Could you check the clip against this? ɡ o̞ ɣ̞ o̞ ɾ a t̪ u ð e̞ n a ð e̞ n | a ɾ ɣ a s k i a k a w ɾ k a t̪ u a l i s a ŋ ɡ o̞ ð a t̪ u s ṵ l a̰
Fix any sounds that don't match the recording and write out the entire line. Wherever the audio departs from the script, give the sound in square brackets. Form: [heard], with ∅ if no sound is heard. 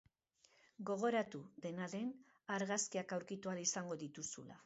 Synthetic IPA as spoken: ɡ o̞ ɣ̞ o̞ ɾ a t̪ u ð e̞ n a ð e̞ n | a ɾ ɣ a s k i a k a w ɾ k [i] t̪ u a l i s a ŋ ɡ o̞ ð [i] t̪ u s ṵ l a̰